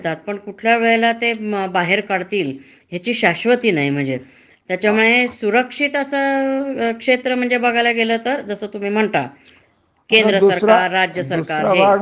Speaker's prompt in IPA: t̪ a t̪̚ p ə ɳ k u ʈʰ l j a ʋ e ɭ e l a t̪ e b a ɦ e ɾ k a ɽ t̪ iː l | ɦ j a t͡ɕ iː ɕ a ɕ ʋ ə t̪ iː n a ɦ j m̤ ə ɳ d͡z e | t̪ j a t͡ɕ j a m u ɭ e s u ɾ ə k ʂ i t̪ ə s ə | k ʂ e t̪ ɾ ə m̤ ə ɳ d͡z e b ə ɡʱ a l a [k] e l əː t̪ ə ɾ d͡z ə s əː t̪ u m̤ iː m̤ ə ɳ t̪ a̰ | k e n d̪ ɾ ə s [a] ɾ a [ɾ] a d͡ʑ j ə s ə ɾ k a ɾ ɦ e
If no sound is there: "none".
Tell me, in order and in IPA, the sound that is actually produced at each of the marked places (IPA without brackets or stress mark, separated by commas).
ɡ, ə, ɾː